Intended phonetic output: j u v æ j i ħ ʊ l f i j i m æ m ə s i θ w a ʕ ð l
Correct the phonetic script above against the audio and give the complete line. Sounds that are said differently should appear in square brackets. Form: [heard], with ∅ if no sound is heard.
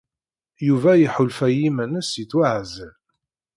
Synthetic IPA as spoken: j u v æ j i ħ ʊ l f [æ] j i m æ [n] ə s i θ w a ʕ [z] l